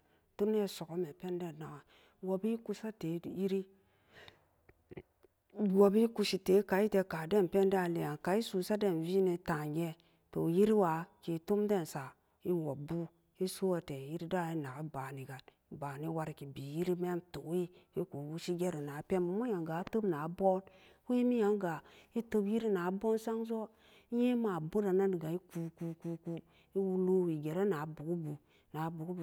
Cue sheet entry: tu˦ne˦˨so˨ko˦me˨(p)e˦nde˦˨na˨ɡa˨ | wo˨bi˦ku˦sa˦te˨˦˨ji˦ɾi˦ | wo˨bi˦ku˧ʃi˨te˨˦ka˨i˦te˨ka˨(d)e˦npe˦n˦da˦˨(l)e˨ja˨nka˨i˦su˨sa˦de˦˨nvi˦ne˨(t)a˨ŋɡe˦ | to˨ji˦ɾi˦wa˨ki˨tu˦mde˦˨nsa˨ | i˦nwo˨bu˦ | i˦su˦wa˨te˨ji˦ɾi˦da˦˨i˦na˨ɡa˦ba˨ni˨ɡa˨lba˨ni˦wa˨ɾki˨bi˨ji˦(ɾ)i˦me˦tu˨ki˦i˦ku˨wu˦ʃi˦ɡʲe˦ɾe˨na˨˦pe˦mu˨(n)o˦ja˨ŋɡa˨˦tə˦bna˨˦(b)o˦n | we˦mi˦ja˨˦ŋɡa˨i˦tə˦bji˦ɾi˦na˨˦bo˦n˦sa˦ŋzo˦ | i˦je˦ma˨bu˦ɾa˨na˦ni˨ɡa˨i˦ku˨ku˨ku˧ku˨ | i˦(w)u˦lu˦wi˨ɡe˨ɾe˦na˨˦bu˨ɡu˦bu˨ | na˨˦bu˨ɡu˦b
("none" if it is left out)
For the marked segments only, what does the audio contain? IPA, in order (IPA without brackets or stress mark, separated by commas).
p, d, l, t, ɾ, m, b, w